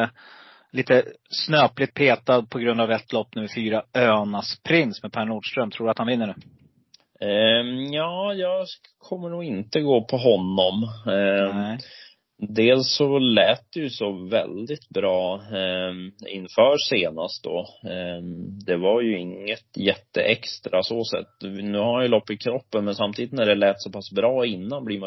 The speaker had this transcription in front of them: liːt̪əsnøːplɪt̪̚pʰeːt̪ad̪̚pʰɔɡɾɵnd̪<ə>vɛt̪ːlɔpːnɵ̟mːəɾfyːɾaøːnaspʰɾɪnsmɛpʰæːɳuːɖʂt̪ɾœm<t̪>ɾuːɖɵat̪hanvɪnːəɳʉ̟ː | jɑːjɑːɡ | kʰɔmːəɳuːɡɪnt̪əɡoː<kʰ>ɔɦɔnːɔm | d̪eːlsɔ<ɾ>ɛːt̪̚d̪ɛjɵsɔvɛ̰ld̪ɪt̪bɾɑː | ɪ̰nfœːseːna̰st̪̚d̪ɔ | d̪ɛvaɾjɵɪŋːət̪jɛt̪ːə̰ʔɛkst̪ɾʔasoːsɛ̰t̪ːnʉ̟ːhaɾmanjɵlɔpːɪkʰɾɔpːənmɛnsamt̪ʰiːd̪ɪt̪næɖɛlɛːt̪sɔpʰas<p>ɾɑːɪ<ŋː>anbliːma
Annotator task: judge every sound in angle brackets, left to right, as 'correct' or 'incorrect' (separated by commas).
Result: incorrect, incorrect, incorrect, incorrect, incorrect, incorrect